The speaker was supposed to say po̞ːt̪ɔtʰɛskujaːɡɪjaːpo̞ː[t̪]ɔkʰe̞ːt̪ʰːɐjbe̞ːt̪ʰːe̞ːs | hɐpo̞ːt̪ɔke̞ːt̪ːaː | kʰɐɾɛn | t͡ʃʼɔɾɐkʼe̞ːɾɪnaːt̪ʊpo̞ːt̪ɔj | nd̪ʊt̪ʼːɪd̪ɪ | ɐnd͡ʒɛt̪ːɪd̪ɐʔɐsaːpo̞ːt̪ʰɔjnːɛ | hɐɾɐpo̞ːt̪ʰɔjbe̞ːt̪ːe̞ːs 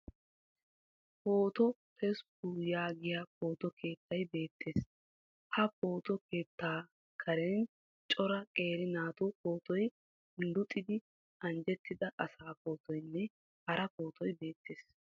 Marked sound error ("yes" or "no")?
no